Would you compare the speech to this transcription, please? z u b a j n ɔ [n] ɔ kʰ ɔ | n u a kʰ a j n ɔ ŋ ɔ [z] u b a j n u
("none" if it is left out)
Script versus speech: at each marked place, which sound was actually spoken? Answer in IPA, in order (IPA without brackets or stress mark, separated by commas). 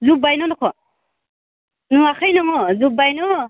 n, z